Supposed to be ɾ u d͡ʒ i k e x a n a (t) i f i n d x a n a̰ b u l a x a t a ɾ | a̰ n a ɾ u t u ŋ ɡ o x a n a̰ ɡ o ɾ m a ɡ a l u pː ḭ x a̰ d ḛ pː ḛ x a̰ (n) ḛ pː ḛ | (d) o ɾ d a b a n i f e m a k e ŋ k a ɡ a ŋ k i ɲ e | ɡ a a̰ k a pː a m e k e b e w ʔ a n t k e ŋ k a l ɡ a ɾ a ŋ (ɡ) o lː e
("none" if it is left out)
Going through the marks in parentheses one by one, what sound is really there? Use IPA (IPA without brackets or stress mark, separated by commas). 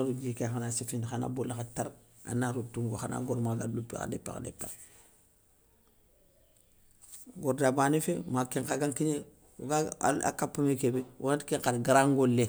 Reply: s, d, ɡ, ɡ